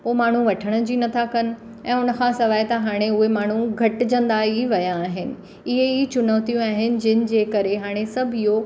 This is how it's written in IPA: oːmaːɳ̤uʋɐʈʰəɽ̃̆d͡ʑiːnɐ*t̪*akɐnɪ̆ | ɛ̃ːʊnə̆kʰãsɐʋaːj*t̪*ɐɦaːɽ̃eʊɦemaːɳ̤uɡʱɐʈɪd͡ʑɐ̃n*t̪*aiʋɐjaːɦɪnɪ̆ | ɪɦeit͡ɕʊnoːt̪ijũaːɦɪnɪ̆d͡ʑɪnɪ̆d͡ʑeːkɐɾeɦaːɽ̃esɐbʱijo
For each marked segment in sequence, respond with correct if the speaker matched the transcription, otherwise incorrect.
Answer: incorrect: t̪ʰ, correct, incorrect: d̪

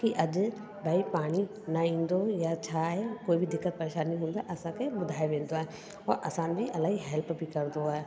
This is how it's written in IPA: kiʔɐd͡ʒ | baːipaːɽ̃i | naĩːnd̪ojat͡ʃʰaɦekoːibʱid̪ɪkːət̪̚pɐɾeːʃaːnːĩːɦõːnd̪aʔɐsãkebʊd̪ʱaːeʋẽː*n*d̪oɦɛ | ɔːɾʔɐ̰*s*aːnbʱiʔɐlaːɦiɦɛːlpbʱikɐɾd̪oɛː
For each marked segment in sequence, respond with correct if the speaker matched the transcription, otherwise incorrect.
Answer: correct, correct

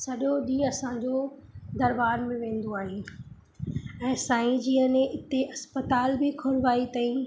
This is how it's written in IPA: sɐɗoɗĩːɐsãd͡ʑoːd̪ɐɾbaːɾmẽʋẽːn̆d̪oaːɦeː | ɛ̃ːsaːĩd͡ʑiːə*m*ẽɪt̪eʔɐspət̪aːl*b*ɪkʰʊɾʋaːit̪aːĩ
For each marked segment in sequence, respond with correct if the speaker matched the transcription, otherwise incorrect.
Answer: incorrect: n, correct

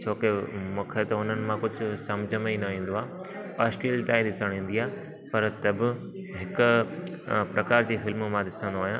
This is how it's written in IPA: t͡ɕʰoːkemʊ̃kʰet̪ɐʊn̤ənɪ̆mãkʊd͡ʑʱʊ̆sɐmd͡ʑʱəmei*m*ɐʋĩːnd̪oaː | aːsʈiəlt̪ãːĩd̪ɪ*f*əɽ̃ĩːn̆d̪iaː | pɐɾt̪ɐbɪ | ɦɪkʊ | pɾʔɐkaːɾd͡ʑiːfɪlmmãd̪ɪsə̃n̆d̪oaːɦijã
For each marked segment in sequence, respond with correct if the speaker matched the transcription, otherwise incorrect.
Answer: incorrect: n, incorrect: s

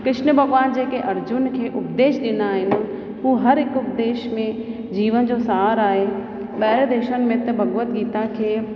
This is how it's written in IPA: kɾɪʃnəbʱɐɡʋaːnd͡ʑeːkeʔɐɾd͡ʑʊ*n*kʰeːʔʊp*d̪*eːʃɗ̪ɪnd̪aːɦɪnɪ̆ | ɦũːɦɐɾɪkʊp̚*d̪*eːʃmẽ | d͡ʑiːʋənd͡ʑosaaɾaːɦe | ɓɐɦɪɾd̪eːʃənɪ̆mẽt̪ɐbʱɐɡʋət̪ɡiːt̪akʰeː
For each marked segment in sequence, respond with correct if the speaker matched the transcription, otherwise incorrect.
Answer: correct, correct, correct

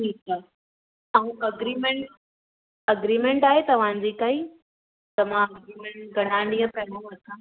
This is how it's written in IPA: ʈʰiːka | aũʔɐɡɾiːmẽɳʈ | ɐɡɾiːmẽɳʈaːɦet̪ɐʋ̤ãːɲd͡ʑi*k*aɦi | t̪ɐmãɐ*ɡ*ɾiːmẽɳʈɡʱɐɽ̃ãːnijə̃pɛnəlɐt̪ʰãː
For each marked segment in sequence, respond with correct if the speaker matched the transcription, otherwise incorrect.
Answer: correct, correct

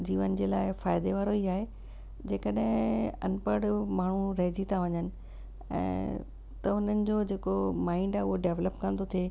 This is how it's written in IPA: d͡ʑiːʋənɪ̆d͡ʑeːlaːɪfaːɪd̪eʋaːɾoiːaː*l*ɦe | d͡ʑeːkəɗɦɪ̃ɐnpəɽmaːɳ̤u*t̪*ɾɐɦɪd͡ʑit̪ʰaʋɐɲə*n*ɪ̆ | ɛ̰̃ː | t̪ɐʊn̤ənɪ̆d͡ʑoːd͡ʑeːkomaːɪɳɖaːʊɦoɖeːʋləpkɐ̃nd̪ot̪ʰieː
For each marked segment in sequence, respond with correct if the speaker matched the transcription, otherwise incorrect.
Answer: incorrect: none, incorrect: none, correct

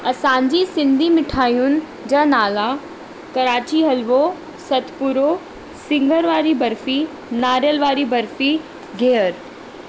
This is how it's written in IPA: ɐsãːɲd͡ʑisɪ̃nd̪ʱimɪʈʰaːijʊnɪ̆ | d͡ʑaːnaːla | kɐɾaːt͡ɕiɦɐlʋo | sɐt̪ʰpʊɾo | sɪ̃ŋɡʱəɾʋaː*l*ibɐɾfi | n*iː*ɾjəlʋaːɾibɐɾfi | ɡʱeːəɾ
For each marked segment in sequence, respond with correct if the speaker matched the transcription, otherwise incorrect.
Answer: incorrect: ɾ, incorrect: aː

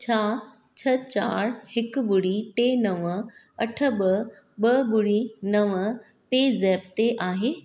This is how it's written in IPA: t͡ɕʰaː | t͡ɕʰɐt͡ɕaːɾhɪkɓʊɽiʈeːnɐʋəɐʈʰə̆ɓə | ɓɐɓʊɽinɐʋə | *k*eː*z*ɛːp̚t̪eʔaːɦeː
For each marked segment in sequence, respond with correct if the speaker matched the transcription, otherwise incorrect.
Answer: incorrect: p, correct

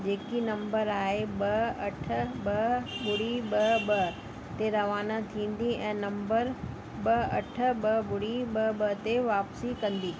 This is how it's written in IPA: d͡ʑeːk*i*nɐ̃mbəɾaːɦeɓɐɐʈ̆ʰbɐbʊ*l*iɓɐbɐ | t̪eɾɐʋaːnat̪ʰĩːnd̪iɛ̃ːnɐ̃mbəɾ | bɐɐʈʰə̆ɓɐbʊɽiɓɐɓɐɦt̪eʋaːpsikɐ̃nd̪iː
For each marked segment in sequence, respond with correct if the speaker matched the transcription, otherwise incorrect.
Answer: correct, incorrect: ɽ

